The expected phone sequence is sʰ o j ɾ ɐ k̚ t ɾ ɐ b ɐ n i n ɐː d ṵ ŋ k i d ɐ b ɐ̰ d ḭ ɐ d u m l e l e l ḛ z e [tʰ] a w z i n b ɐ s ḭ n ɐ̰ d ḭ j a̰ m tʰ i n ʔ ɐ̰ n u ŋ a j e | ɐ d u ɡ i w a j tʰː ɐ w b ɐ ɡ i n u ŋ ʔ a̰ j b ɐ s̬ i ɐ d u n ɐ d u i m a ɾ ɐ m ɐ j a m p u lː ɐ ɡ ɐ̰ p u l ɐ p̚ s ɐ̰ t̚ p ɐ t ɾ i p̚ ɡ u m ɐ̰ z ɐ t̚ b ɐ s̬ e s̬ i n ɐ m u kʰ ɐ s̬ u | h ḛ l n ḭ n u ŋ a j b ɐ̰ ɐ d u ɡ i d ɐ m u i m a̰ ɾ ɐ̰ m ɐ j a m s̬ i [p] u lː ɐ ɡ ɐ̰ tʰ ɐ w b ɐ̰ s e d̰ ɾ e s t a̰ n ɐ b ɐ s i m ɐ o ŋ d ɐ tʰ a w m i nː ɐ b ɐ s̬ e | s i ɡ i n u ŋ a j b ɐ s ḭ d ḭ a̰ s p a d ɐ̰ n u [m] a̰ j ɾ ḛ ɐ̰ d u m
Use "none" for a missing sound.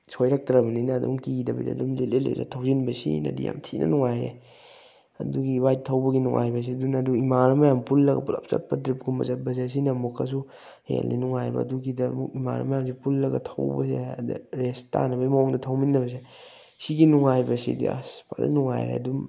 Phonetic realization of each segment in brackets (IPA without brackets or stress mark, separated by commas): tʰ, p, ŋ